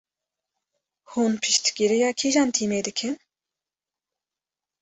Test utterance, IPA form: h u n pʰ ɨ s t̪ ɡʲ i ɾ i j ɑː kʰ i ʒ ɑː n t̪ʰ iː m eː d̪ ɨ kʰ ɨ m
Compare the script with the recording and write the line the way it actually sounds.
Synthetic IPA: h u n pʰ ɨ ʃ t̪ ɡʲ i ɾ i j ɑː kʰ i ʒ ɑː n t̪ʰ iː m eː d̪ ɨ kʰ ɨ n